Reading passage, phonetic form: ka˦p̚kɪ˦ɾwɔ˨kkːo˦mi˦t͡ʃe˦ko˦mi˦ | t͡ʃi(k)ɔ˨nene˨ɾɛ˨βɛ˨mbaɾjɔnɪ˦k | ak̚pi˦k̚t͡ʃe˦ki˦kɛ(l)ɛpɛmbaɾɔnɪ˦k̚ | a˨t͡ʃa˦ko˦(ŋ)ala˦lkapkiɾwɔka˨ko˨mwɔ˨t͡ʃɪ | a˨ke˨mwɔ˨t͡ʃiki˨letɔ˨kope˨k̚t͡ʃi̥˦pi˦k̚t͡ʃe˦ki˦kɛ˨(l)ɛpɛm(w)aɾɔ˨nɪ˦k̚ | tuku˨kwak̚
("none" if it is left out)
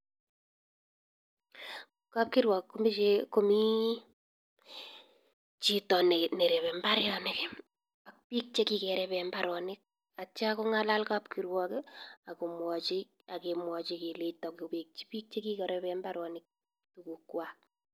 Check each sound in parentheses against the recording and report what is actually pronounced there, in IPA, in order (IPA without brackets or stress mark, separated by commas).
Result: t, ɾ, ŋ, ɾ, b